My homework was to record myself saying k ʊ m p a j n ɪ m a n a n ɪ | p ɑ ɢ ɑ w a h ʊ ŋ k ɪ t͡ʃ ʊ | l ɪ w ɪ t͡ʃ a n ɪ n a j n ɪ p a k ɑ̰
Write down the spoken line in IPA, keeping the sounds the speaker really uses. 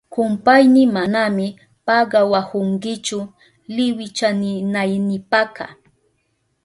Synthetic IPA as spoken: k ʊ m p a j n ɪ m a n a m ɪ | p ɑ ɢ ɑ w a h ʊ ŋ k ɪ t͡ʃ ʊ | l ɪ w ɪ t͡ʃ a n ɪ n a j n ɪ p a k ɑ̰